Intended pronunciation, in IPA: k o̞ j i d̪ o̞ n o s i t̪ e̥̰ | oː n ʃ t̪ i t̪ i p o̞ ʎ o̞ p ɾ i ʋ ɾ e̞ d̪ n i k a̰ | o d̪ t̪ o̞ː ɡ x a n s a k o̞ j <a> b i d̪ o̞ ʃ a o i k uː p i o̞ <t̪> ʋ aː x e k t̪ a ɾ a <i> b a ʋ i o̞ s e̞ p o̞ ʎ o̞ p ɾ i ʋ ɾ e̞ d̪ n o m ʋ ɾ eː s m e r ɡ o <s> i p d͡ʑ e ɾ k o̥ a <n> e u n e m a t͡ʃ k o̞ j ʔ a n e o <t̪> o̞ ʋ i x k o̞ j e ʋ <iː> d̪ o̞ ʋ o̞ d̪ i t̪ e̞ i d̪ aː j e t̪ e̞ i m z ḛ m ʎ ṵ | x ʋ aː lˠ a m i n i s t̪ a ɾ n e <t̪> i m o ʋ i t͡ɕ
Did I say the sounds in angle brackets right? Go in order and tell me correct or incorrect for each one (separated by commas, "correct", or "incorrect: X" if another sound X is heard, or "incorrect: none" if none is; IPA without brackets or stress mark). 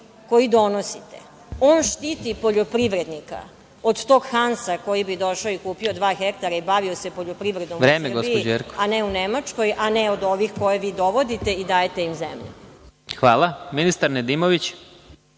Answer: incorrect: i, incorrect: d̪, correct, correct, correct, incorrect: d̪, correct, incorrect: d̪